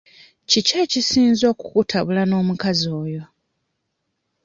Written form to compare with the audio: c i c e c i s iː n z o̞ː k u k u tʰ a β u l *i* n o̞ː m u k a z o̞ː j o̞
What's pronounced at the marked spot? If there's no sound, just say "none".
a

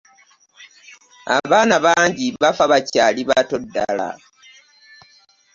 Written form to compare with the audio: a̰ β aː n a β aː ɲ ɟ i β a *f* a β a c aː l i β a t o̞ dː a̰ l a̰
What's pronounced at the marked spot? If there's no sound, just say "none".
f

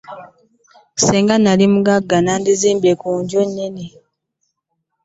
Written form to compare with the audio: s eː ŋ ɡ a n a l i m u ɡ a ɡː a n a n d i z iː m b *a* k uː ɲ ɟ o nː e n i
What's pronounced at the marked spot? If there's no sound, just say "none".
e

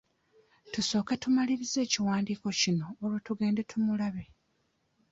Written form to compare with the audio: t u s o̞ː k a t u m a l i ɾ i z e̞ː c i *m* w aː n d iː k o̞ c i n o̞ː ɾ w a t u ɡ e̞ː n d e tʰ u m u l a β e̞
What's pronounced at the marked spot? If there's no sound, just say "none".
none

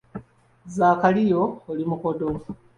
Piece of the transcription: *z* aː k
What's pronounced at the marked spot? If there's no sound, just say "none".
z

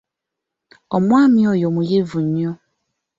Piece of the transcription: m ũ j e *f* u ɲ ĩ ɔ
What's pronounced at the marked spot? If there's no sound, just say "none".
v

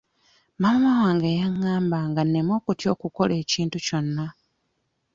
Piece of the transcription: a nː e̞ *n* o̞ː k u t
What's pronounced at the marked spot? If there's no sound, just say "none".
m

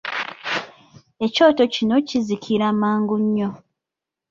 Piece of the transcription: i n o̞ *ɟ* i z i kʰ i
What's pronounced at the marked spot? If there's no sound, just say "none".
c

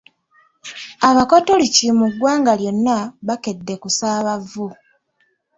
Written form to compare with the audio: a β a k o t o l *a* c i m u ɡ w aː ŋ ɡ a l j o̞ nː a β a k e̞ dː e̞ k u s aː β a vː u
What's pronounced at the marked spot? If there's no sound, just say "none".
i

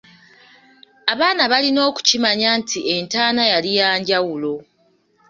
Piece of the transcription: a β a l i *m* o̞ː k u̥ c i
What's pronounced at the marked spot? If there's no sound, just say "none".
n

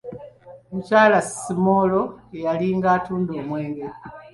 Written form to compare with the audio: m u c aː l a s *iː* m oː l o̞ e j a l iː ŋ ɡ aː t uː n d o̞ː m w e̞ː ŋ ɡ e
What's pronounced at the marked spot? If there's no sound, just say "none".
i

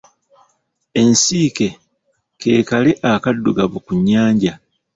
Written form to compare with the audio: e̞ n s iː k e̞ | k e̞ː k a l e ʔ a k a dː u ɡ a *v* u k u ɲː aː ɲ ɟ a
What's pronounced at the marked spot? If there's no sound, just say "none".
β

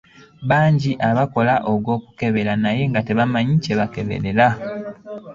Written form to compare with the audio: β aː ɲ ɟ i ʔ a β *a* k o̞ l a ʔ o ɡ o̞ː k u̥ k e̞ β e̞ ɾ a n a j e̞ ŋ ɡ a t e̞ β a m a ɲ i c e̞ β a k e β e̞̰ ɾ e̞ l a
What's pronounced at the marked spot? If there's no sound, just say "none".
a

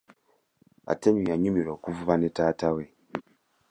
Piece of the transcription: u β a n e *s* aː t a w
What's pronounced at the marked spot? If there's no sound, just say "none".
t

